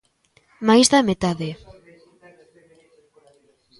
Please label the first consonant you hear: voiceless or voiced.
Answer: voiced